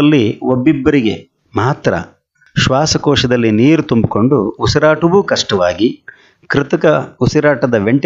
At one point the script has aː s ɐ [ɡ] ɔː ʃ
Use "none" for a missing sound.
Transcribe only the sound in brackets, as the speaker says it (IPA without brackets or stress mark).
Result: k